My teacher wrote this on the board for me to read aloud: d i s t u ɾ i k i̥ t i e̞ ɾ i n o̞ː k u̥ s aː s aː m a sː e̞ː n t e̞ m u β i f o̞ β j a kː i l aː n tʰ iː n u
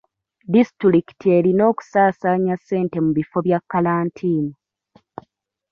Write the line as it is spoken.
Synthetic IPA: d i s t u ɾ i k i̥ t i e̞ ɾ i n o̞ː k u̥ s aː s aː ɲ a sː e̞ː n t e̞ m u β i f o̞ β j a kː a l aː n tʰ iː n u